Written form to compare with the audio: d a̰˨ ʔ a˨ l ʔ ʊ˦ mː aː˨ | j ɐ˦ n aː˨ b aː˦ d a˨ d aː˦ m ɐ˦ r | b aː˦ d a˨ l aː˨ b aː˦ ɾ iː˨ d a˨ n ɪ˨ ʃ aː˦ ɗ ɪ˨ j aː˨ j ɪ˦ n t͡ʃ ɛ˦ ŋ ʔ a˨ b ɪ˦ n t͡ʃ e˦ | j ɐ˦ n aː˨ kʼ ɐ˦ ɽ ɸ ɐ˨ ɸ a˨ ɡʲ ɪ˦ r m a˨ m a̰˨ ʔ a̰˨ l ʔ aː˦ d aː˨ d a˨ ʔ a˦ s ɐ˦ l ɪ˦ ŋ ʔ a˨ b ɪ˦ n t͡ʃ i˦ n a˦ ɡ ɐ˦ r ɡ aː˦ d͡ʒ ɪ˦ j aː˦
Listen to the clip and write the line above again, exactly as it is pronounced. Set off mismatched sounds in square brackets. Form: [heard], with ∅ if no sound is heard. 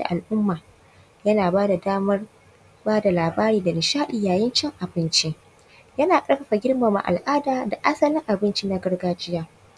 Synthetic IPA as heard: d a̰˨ ʔ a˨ l ʔ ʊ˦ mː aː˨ | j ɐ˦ n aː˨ b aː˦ d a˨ d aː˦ m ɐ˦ r | b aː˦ d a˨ l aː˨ b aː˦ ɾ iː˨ d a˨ n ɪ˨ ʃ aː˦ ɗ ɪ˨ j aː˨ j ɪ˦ n t͡ʃ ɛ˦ ŋ ʔ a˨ b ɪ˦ n t͡ʃ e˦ | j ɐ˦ n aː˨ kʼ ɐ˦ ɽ ɸ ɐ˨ ɸ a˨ ɡʲ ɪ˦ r m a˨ m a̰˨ ʔ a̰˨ l ʔ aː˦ d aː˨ d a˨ ʔ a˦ s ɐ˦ l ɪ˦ ŋ ʔ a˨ b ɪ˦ n t͡ʃ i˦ n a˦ ɡ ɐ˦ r ɡ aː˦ d͡ʒ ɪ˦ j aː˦